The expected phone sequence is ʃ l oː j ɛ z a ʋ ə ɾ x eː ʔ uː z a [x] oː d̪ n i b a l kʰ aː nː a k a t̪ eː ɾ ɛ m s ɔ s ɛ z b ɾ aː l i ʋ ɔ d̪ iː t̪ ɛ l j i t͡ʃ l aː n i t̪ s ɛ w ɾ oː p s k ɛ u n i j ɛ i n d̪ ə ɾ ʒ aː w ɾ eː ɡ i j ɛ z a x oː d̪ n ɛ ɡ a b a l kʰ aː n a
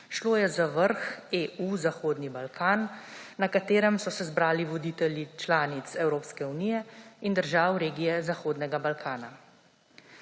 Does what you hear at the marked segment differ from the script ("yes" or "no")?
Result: no